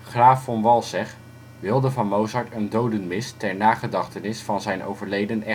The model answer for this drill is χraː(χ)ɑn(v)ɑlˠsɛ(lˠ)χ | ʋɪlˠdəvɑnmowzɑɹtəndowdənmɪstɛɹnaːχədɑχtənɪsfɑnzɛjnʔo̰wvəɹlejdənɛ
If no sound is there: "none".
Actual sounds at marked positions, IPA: f, ʋ, none

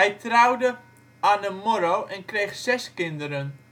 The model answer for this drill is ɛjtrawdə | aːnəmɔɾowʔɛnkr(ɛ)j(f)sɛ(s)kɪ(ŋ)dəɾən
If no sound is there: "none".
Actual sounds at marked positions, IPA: e, χ, s, n

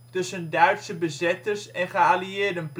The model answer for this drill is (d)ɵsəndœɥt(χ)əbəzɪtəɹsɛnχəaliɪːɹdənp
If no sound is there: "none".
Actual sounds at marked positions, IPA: t, s

